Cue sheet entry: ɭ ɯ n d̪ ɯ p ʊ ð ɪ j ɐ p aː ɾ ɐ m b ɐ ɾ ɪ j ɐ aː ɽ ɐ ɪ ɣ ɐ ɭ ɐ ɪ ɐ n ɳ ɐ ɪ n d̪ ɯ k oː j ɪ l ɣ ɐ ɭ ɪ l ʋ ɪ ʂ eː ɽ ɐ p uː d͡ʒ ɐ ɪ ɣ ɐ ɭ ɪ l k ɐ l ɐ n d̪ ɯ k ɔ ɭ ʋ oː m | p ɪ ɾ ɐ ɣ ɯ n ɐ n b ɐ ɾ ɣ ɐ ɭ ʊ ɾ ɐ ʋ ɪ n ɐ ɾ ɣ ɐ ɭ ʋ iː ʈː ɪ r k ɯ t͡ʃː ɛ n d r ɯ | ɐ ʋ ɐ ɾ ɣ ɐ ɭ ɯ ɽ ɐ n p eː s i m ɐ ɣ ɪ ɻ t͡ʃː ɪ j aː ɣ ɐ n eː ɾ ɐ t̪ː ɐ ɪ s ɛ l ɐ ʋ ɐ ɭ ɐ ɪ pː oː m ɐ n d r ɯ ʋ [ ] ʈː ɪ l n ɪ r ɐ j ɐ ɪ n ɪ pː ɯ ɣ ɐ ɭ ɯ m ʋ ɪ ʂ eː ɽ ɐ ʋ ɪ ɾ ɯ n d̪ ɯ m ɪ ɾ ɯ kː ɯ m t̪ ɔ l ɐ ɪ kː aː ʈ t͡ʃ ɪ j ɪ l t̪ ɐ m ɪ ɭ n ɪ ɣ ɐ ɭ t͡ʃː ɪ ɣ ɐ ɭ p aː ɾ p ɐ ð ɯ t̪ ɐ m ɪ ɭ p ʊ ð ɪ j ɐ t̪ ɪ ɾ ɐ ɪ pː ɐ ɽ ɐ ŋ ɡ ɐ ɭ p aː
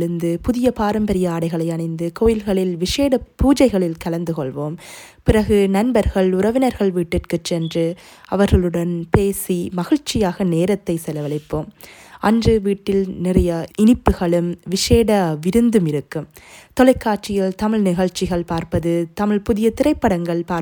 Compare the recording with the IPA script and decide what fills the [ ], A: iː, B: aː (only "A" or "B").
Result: A